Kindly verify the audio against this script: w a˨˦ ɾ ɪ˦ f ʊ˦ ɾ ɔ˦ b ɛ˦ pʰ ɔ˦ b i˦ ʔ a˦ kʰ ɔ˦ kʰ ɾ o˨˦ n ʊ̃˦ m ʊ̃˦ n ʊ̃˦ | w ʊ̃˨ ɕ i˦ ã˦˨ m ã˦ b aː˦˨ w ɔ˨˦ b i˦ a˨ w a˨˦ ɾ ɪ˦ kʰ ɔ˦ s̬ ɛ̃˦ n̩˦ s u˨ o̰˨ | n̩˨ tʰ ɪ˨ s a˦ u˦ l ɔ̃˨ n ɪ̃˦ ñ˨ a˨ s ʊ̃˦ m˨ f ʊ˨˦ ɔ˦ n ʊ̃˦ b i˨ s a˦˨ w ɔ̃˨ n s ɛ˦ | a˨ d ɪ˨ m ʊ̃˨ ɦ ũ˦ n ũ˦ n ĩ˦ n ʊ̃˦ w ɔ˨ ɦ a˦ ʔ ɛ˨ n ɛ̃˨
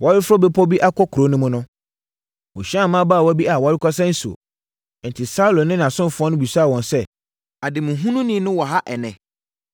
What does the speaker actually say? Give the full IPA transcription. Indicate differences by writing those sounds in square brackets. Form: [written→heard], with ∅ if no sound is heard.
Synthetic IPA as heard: w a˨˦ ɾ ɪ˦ f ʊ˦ ɾ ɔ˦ b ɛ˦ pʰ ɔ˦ b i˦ ʔ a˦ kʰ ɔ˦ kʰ ɾ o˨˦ n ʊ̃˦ m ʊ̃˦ n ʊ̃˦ | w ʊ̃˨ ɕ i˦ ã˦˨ m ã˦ b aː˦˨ w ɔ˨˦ b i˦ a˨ w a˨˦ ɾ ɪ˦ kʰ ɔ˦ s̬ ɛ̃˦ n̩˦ s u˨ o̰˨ | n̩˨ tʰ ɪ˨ s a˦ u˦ l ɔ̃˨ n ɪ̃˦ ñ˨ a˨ s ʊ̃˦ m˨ f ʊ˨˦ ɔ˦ n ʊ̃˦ b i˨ s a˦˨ w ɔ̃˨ n s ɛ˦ | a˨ d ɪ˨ m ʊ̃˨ ɦ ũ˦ n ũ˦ n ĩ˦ n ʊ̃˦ w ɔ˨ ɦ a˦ ʔ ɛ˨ n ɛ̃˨

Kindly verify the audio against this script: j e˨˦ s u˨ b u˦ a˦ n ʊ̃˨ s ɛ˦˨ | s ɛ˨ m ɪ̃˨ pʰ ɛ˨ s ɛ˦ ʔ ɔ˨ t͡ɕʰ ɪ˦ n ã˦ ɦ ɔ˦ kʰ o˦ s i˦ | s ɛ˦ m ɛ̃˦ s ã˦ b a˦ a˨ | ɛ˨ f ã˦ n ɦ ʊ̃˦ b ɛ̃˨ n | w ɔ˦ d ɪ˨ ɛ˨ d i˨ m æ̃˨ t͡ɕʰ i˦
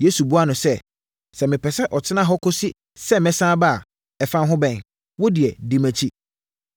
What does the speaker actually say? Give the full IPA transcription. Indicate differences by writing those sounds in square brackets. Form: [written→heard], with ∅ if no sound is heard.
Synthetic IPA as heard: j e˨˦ s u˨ b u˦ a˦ n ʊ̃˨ s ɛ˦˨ | s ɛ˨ m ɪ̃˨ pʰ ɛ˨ s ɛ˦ ʔ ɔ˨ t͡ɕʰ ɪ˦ n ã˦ ɦ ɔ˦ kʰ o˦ s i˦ | s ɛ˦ m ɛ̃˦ s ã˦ b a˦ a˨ | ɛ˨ f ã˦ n ɦ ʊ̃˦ b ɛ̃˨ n | w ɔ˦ d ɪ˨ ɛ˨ d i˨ m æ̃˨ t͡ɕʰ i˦

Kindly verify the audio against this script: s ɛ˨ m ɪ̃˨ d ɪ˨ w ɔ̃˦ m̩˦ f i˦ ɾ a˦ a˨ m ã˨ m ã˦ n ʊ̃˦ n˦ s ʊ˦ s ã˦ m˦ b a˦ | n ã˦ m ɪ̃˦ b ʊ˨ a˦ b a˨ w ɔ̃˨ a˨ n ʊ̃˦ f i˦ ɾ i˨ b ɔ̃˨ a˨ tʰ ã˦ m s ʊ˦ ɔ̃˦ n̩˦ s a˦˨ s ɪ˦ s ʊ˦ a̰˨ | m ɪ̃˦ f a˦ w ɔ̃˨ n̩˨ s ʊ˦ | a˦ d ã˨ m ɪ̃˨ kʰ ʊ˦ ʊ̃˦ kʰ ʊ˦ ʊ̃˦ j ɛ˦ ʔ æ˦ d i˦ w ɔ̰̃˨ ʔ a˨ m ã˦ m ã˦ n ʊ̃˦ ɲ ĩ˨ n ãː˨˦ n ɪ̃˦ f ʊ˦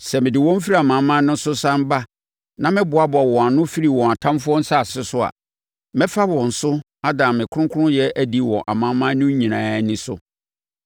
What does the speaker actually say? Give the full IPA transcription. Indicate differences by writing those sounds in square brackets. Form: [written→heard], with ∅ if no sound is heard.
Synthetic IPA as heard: s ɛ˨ m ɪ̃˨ d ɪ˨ w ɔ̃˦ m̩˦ f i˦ ɾ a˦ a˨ m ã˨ m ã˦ n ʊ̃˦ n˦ s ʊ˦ s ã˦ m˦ b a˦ | n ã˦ m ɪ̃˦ b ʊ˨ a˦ b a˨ w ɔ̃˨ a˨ n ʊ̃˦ f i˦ ɾ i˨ [b→w] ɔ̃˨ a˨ tʰ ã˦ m [s→f] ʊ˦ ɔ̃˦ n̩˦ s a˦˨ s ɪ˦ s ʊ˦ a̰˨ | m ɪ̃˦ f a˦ w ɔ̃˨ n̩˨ s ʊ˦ | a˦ d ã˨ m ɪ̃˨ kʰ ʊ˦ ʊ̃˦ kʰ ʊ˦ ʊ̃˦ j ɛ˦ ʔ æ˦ d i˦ w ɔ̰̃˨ ʔ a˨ m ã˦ m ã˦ n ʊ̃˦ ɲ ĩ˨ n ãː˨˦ n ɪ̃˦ [f→s] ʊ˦

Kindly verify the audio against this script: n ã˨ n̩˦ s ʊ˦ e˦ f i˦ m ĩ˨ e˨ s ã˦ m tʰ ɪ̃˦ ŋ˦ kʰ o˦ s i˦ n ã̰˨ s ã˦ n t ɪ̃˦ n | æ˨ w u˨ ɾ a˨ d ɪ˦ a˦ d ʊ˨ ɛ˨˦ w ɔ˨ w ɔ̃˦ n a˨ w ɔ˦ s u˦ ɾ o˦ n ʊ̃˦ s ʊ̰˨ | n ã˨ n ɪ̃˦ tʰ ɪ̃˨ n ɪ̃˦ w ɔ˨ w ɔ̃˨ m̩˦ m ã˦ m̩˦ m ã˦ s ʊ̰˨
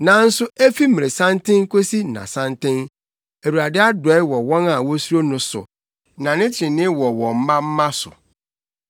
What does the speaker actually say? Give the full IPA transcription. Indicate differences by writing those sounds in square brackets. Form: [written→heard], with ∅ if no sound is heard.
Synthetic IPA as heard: n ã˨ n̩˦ s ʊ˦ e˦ f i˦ m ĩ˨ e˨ s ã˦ [m→n] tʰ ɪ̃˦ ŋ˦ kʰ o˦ s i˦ n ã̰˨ s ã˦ n t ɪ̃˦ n | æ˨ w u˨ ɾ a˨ d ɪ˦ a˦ d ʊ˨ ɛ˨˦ w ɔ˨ w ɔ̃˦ n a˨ w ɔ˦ s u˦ ɾ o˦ n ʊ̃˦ s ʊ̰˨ | n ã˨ n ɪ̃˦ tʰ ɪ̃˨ n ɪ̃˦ w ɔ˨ w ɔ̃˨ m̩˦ m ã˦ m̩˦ m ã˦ s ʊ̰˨

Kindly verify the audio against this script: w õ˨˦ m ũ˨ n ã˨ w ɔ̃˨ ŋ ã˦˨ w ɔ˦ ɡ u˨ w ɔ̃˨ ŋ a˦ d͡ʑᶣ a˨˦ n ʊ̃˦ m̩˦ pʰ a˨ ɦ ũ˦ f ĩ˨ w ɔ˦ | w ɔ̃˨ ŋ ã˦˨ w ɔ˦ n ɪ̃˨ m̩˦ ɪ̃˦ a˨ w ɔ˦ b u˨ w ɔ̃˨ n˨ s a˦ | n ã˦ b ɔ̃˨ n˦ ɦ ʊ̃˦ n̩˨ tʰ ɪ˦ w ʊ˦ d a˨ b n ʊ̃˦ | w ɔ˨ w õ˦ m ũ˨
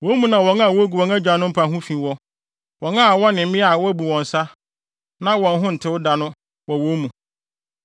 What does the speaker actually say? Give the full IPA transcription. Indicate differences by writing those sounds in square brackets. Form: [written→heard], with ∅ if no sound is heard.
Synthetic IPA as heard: w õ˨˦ m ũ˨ n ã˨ w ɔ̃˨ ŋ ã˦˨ w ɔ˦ ɡ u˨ w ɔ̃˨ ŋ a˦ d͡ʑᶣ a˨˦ n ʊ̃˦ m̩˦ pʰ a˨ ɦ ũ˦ f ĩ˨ w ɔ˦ | w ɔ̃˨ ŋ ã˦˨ w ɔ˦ n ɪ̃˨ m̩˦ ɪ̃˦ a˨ w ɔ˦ b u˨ w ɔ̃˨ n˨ s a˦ | n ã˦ [b→w] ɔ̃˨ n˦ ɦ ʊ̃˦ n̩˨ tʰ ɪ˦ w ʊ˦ d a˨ [b→∅] n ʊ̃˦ | w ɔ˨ w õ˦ m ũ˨

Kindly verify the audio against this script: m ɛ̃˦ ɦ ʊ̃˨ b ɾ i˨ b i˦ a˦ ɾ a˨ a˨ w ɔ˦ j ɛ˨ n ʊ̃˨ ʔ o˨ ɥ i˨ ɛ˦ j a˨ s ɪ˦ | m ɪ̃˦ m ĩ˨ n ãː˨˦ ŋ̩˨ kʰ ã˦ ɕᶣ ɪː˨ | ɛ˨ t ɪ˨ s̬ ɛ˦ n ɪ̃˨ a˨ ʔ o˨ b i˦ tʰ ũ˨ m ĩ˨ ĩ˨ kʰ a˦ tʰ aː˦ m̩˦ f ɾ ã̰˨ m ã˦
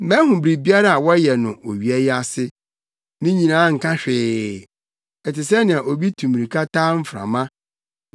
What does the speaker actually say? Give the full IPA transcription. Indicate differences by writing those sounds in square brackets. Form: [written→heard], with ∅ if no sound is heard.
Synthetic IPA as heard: m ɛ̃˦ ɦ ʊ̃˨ b ɾ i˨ b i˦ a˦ ɾ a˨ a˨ w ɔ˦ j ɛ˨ n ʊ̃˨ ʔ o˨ ɥ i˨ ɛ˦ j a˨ s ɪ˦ | m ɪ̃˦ [m→ɲ] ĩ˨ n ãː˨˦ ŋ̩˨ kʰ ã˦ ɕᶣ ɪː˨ | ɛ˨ t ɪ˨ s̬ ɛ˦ n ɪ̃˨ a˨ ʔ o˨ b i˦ tʰ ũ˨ m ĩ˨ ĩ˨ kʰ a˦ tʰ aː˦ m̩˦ f ɾ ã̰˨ m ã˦

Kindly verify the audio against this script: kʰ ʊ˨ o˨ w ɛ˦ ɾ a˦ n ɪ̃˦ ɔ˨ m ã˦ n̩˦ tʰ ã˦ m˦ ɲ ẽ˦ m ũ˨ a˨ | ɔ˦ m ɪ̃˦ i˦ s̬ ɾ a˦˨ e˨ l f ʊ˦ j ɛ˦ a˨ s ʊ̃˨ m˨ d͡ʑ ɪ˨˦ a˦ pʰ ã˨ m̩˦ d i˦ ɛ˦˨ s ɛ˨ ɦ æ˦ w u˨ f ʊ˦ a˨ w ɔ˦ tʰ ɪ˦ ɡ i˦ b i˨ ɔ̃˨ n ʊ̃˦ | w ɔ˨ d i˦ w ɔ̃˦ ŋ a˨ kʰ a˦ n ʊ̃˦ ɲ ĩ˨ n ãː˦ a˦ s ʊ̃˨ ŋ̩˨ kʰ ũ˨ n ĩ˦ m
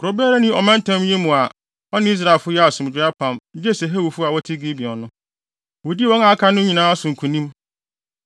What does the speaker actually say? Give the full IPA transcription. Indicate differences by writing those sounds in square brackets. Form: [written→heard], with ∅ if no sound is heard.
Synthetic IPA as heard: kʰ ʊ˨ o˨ [w→b] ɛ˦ ɾ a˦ n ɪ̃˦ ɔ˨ m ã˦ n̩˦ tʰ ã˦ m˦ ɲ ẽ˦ m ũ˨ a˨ | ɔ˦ [m→n] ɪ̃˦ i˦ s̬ ɾ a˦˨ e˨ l f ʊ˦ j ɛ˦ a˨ s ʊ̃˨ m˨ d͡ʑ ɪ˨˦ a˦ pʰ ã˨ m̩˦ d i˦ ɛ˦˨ s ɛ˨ ɦ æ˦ w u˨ f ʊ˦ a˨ w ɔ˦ tʰ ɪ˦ ɡ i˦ b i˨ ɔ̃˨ n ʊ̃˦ | w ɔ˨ d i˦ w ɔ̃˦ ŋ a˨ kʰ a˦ n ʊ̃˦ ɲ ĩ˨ n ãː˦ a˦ s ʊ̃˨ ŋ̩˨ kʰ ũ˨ n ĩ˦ m

